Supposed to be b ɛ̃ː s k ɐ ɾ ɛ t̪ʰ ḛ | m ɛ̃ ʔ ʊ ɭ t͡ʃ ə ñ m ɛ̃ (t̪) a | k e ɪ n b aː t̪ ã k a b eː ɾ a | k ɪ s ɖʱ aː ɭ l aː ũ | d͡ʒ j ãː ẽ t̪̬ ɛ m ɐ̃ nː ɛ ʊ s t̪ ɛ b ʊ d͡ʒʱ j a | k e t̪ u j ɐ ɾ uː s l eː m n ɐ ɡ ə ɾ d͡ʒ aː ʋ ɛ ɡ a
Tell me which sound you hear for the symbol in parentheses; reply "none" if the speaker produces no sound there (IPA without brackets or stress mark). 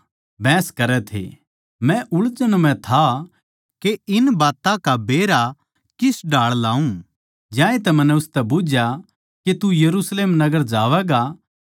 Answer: t̪ʰ